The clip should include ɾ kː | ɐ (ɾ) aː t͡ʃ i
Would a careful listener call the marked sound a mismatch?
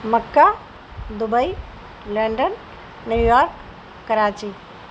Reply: no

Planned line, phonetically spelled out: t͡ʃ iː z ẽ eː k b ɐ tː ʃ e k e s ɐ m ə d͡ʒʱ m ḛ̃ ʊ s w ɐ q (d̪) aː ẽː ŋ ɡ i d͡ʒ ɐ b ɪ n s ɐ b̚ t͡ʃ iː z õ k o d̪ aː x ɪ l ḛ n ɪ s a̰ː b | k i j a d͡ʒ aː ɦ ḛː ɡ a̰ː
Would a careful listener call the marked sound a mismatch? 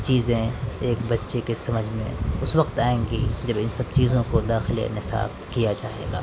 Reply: yes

